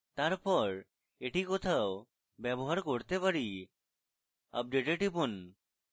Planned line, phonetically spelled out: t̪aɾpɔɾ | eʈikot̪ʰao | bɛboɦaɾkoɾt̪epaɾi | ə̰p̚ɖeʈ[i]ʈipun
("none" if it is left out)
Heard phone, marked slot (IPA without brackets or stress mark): e